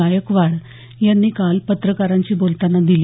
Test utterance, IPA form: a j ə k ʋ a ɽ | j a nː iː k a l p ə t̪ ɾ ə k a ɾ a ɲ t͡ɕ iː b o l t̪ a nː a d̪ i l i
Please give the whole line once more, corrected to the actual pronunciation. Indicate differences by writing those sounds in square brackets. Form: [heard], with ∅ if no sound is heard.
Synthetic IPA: a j ə k ʋ a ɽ | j a nː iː k a l p ə t̪ ɾ ə k a ɾ a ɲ t͡ɕ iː b o l t̪ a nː a d̪ i l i